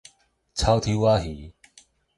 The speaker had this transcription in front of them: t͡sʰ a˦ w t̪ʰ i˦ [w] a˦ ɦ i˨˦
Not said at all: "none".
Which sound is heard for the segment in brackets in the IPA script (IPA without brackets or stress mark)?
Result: w